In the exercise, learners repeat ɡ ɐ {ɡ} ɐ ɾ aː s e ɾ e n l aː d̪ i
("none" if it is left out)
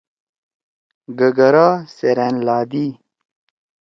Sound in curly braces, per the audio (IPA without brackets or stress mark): ɡ